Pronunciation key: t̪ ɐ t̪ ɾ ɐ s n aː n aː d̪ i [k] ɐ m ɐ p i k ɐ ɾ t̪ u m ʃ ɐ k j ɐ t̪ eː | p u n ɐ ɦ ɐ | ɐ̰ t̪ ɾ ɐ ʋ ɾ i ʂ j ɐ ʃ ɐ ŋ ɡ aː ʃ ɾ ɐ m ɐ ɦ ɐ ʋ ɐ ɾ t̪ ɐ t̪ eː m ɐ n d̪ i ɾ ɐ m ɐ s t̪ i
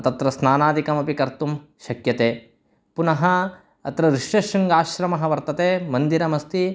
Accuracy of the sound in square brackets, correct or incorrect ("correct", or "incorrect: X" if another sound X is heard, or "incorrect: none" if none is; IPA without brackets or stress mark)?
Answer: correct